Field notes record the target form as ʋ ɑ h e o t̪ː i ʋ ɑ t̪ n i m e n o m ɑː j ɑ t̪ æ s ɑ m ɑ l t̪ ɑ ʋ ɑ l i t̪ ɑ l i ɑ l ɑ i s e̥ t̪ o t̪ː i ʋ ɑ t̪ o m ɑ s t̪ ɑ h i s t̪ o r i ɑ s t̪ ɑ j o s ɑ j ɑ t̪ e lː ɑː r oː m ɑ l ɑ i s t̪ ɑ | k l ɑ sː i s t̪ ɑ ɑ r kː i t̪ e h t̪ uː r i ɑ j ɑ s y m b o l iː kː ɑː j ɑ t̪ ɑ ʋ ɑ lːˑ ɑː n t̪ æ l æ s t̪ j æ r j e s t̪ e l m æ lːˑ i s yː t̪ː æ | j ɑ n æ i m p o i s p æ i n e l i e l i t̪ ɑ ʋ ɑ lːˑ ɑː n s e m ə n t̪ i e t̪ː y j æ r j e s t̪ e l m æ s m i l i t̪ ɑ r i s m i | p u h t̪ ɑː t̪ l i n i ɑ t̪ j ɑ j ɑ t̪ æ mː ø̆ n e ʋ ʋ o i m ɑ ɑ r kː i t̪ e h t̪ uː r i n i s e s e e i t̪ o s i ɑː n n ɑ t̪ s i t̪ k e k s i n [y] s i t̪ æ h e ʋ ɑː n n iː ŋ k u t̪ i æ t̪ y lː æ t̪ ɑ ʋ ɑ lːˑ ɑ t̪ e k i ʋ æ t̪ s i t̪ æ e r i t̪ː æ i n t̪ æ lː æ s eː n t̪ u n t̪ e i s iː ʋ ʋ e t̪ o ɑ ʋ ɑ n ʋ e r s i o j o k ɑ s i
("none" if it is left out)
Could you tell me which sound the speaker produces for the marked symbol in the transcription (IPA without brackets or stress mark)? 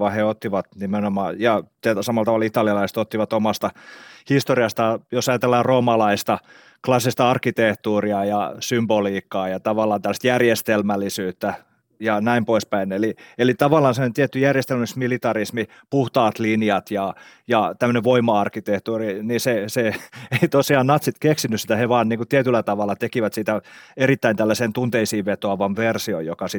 y